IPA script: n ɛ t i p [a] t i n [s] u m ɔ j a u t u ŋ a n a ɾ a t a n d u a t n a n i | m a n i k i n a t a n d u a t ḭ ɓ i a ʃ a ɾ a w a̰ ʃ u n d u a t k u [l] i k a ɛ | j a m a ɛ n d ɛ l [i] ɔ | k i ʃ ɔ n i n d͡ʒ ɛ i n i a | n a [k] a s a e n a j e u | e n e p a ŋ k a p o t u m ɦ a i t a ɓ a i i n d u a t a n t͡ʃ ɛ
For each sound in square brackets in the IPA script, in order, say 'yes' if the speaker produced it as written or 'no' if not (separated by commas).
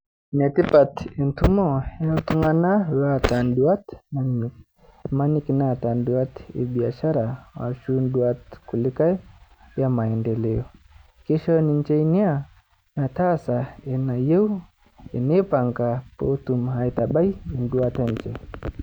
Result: yes, no, yes, no, no